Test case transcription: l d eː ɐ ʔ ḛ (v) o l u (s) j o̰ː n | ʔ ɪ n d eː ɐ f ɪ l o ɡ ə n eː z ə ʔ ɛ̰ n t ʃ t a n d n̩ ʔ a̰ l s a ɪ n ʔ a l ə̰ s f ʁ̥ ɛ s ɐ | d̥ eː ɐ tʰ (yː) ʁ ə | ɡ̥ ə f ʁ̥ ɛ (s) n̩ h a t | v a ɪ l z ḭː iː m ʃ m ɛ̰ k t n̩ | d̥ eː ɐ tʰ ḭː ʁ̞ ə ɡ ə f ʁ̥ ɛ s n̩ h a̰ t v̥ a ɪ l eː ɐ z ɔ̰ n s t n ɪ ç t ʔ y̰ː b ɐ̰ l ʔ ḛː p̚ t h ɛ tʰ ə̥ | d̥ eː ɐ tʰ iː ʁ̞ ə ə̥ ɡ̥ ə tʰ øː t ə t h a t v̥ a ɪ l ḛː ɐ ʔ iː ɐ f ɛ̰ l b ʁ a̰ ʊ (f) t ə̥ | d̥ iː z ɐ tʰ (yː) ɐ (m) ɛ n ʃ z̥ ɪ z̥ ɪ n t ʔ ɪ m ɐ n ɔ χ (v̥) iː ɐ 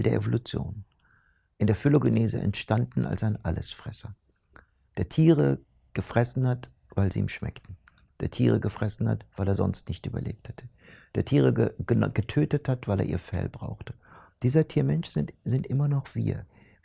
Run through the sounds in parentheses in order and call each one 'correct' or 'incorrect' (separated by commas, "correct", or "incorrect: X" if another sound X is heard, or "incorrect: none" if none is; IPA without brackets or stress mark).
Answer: correct, incorrect: t͡s, incorrect: iː, correct, incorrect: x, incorrect: iː, correct, correct